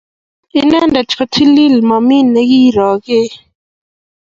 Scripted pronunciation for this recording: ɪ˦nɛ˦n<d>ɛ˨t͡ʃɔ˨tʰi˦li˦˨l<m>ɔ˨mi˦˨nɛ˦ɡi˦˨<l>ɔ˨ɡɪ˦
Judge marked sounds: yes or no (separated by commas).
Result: yes, yes, no